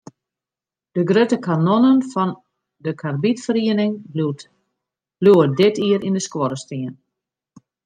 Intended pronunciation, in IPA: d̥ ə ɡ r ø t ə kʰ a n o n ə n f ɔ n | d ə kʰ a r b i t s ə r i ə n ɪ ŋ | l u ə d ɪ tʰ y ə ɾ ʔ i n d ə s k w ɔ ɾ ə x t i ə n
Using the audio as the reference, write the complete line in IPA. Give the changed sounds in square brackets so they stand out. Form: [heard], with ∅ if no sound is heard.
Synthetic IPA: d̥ ə ɡ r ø t ə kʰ a n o n ə n f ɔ n | d ə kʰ a r b i t [f] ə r i ə n ɪ ŋ | l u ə d ɪ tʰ [i] ə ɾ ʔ i n d ə s k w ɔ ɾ ə [s] t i ə n